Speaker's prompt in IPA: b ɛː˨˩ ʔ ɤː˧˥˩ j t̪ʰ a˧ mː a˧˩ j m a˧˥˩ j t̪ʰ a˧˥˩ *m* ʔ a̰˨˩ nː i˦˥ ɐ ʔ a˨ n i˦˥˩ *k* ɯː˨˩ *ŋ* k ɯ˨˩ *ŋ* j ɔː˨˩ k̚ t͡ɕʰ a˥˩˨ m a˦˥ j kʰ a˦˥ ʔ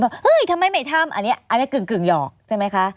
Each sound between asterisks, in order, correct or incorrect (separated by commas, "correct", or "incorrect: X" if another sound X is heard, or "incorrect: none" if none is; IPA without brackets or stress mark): correct, correct, correct, correct